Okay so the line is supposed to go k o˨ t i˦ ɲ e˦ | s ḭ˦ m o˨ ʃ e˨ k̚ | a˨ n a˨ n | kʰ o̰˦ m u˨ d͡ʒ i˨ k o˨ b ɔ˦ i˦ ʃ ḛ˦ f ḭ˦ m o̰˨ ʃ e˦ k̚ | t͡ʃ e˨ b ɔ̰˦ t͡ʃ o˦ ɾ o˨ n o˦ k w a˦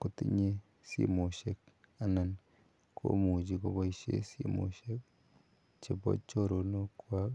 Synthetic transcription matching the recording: k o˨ t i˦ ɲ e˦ | s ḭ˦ m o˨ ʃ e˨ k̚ | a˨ n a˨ n | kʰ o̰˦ m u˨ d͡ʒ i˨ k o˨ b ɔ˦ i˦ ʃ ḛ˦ s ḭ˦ m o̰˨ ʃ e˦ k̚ | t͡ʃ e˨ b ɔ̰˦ t͡ʃ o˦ ɾ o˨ n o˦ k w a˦